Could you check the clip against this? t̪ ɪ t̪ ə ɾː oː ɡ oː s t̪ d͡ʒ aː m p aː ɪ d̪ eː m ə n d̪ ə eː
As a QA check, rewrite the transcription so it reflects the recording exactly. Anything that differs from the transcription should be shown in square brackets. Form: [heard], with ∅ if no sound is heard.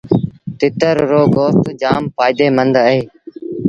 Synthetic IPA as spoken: t̪ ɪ t̪ ə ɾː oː ɡ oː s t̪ d͡ʒ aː m p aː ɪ d̪ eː m ə n d̪ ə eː